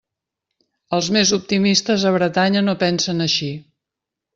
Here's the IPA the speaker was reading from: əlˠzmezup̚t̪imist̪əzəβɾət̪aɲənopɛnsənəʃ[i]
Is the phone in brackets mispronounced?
no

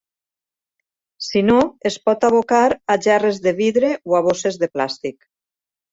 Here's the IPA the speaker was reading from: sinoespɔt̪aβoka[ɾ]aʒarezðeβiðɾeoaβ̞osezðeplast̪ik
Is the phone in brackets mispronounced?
no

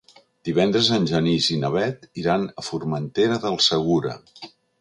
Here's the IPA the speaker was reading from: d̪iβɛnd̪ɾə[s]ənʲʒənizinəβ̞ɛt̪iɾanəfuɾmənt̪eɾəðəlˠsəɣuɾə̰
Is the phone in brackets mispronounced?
yes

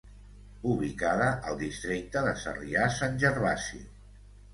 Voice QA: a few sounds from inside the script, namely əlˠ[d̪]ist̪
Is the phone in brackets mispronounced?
no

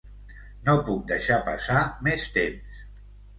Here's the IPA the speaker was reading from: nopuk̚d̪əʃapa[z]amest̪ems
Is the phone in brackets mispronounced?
yes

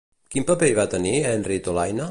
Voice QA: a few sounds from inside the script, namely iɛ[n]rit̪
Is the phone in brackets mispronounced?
no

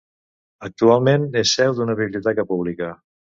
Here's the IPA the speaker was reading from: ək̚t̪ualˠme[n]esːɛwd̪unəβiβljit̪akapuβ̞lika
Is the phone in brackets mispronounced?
no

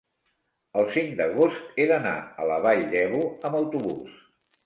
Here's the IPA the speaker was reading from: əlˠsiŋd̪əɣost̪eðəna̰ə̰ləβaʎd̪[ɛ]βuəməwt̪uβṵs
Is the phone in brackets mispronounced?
no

